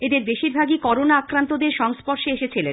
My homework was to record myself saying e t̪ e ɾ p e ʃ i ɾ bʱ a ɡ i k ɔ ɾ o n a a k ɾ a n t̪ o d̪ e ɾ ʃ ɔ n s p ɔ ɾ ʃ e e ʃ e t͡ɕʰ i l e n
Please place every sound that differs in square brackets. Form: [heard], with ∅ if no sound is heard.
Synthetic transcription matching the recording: e [d̪] e ɾ [b] e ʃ i ɾ bʱ a ɡ i k ɔ ɾ o n a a k ɾ a n t̪ o d̪ e ɾ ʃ ɔ [ŋ] s p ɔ ɾ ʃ e e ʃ e t͡ɕʰ i l e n